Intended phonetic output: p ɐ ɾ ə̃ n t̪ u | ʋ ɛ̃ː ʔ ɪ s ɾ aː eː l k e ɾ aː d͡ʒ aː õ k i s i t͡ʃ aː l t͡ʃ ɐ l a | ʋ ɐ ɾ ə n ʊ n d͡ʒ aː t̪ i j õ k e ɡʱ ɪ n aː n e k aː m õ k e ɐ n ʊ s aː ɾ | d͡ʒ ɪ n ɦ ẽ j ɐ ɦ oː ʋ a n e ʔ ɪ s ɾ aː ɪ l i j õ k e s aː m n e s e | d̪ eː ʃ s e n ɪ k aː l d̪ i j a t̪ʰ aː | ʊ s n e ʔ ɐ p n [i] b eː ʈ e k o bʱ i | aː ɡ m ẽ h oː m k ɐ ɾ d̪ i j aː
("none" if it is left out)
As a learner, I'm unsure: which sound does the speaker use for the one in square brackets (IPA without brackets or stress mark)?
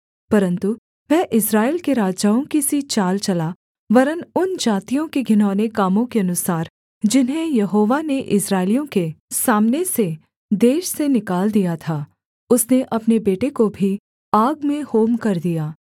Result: e